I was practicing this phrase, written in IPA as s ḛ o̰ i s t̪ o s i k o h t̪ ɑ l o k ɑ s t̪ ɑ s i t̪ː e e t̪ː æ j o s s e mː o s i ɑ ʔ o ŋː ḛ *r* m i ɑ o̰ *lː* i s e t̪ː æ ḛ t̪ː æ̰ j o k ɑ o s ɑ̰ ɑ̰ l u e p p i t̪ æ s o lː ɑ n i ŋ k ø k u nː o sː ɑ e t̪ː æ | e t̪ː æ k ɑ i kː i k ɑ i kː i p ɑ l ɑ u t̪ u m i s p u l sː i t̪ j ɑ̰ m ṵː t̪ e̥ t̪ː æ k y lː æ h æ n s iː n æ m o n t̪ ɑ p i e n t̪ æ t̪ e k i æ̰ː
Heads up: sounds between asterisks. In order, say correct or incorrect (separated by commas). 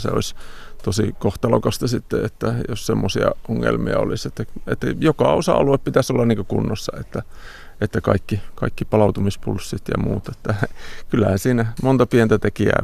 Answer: incorrect, incorrect